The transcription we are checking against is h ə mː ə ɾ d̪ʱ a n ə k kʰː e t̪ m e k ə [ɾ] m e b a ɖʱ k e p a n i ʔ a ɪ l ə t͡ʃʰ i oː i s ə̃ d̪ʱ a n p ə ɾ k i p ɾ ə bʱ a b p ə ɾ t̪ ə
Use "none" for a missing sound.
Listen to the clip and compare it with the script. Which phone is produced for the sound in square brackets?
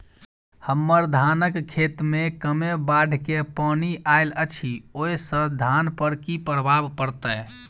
none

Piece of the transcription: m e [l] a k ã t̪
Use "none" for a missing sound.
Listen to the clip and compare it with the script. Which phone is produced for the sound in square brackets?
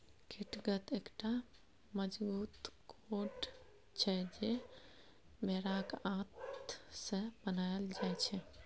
ɾ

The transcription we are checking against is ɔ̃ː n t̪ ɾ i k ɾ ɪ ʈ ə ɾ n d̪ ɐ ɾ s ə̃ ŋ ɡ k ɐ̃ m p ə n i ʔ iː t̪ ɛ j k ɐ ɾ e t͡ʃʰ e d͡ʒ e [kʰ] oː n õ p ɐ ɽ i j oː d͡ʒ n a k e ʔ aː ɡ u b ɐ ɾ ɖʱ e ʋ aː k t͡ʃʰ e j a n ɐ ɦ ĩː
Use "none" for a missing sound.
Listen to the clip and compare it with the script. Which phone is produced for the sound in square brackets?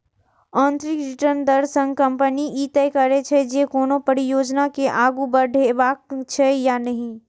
k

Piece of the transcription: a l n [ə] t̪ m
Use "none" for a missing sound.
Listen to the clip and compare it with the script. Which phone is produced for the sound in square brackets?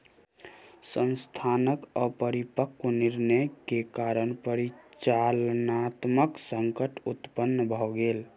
a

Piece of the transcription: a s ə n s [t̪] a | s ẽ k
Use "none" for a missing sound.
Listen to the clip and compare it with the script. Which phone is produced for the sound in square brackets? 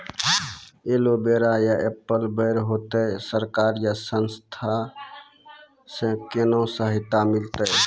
t̪ʰ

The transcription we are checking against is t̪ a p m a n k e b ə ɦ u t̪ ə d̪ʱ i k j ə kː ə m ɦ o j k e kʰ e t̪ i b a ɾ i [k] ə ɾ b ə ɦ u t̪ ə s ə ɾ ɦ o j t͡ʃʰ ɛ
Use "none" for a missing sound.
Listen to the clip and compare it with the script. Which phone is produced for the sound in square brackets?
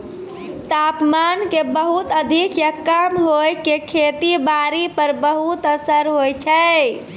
p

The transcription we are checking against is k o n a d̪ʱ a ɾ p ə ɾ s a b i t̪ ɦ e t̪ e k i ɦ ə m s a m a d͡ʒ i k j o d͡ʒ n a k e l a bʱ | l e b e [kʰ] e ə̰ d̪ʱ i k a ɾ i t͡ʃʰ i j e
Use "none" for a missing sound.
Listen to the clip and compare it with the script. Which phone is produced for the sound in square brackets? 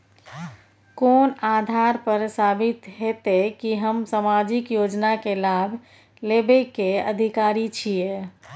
k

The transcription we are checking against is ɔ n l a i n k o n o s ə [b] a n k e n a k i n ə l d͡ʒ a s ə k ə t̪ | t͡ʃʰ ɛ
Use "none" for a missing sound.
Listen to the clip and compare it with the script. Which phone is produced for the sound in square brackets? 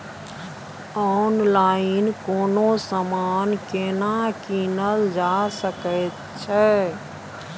m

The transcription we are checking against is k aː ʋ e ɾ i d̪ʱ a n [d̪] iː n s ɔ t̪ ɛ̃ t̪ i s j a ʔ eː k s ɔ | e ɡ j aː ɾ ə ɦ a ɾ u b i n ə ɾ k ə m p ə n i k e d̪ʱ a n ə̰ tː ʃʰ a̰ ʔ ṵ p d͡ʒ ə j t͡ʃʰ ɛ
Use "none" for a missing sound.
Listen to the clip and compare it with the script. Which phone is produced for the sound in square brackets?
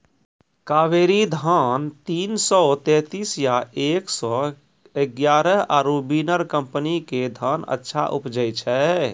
t̪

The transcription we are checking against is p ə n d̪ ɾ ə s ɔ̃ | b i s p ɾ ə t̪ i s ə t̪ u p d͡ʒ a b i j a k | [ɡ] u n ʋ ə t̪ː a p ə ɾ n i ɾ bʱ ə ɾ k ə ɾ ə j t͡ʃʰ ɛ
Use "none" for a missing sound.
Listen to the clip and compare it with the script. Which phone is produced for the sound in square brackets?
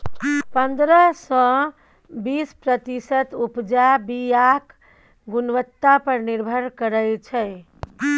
ɡ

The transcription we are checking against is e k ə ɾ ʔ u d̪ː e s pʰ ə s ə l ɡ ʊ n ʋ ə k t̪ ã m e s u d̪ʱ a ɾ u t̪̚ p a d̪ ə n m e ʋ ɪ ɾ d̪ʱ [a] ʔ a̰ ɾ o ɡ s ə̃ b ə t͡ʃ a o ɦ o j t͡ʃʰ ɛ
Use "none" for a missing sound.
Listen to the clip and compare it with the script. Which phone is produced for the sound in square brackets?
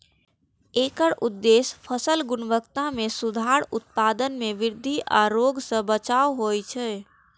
i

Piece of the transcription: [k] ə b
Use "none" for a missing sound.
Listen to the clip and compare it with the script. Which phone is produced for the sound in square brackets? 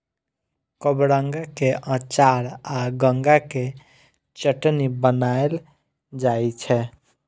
k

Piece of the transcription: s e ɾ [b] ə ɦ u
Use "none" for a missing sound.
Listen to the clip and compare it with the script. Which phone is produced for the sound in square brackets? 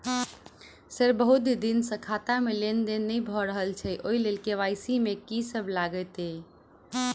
b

